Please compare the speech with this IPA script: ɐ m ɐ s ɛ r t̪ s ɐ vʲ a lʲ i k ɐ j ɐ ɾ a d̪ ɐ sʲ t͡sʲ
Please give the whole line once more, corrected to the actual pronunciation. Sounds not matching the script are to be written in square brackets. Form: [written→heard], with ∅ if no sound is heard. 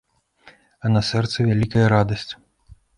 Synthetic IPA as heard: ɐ [m→n] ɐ s ɛ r t̪ s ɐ vʲ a lʲ i k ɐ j ɐ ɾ a d̪ ɐ sʲ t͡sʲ